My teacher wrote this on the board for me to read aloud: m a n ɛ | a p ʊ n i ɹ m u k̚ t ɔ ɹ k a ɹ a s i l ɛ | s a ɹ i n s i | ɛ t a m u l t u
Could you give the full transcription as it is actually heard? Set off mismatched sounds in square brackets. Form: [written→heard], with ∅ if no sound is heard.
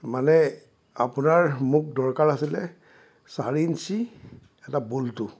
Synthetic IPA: m a n ɛ | a p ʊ n [i→a] ɹ m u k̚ [t→d] ɔ ɹ k a ɹ a s i l ɛ | s a ɹ i n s i | ɛ t a [m→b] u l t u